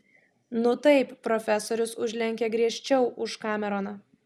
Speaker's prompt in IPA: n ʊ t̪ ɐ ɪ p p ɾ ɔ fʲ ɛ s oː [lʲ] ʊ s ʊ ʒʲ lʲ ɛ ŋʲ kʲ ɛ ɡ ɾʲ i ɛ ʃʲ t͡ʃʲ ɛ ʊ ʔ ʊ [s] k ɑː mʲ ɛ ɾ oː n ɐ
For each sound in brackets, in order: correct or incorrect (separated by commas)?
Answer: incorrect, incorrect